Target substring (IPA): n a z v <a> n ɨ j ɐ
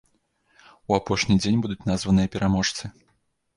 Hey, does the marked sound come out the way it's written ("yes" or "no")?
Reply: no